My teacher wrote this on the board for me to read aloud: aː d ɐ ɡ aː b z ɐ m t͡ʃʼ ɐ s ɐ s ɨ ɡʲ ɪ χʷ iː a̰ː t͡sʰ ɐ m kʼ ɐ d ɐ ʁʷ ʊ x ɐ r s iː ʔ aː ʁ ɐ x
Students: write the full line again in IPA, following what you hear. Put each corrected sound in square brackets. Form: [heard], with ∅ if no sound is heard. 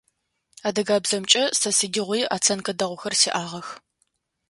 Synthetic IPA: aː d ɐ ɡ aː b z ɐ m t͡ʃʼ ɐ s ɐ s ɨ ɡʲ ɪ [ʁʷ] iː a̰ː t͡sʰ ɐ [n] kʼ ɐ d ɐ ʁʷ ʊ x ɐ r s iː ʔ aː ʁ ɐ x